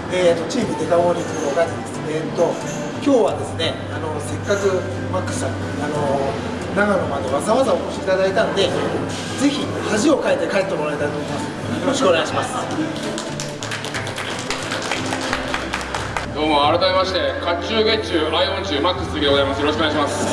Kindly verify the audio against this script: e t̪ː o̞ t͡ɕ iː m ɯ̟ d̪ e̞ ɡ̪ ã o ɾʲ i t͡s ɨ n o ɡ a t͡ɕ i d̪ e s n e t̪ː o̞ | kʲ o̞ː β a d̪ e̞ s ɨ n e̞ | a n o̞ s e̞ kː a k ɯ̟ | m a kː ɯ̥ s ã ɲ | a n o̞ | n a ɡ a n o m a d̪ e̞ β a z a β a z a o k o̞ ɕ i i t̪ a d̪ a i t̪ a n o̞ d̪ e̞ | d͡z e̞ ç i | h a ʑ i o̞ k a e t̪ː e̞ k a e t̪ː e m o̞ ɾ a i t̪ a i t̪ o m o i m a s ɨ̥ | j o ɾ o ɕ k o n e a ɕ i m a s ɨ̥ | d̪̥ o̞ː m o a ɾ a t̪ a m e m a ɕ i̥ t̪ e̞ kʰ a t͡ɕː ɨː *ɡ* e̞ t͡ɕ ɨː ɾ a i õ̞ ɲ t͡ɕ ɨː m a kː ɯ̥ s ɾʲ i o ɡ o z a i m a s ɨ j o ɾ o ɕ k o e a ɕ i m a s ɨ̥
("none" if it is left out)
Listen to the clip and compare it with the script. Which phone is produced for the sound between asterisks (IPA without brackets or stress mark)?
ɡ